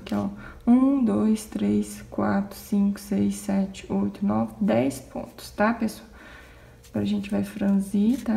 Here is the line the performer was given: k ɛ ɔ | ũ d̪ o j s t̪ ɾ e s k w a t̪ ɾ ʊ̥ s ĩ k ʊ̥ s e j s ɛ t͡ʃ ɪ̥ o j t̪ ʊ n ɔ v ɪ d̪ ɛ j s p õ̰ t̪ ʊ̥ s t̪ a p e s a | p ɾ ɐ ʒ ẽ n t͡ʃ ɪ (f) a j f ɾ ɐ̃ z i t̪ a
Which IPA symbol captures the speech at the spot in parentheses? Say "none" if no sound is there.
v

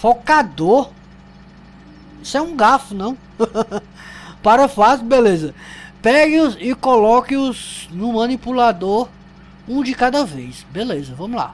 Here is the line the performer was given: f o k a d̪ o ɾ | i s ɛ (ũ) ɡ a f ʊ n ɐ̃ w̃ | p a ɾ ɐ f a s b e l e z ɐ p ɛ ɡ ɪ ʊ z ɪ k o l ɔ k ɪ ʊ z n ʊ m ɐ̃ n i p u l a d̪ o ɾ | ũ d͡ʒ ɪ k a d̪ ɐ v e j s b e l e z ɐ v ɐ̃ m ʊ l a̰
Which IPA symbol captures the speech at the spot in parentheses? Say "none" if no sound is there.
ũ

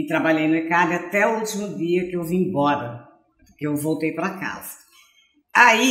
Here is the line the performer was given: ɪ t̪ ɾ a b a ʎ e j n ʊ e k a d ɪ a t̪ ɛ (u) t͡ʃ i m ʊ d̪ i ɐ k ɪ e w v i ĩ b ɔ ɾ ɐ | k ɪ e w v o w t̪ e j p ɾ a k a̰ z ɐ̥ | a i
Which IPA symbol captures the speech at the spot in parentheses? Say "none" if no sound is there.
u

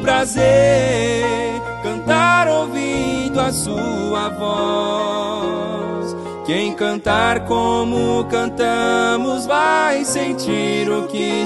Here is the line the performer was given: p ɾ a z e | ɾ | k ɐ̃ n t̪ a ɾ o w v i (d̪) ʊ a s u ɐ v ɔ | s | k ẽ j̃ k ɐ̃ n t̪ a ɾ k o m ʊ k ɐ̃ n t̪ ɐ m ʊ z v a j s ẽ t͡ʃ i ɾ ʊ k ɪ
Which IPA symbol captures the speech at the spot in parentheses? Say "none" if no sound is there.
d̪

